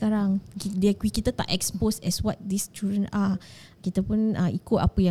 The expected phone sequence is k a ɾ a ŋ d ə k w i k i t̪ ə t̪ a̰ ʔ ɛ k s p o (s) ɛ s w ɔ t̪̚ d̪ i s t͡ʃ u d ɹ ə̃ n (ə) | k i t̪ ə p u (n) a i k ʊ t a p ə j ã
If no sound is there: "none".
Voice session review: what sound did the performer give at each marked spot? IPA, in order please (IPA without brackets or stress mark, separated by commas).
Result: s, a, n